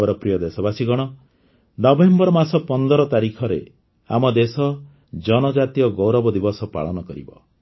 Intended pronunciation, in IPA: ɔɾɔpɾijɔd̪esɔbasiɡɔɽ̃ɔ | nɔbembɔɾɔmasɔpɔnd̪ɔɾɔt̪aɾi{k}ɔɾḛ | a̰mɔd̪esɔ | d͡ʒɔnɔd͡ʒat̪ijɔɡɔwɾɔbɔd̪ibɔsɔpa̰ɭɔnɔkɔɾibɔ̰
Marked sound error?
yes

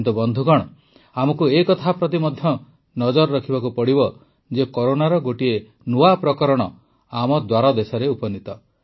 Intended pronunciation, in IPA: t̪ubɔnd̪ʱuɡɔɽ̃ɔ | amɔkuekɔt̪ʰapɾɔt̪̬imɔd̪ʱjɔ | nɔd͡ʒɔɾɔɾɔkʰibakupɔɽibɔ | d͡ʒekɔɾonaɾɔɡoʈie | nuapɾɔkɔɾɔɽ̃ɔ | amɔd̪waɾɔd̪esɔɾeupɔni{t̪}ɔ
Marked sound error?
no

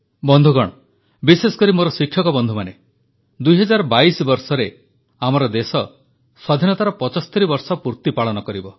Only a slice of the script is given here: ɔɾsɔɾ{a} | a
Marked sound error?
yes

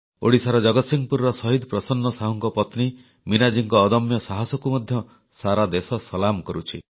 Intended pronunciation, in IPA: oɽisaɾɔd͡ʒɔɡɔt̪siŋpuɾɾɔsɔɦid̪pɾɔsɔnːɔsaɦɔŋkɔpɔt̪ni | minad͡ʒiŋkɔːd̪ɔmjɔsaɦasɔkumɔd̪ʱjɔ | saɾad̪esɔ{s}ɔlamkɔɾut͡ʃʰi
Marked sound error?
no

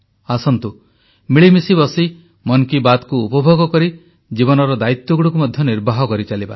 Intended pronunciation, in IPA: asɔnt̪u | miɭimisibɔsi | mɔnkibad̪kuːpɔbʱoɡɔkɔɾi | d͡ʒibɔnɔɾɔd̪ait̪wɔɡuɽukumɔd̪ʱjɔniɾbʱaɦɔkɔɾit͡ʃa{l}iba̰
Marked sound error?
no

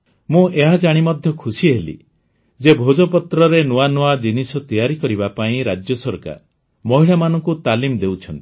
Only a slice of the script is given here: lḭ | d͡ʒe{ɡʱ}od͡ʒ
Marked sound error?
yes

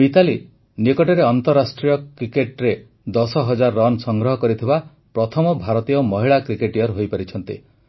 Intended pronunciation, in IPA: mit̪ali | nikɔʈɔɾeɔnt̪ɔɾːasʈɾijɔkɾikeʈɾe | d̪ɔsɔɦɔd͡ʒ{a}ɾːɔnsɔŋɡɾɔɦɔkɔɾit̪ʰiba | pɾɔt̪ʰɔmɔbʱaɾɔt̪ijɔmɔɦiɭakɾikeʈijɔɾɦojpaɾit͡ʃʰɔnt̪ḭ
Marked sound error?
no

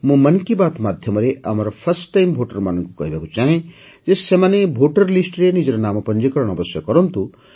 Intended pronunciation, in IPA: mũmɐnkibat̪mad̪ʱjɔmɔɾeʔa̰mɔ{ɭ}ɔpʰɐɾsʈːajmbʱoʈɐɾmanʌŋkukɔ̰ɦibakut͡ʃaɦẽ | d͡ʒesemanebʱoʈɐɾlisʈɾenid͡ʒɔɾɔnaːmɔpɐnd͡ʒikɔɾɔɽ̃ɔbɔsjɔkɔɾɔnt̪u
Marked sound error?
yes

